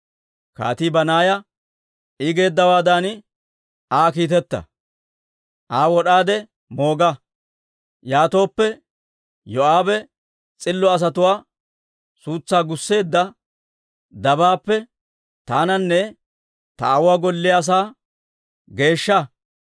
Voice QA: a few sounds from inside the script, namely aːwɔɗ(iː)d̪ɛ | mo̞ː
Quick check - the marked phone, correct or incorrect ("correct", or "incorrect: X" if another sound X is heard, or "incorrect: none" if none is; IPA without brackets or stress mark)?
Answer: incorrect: aː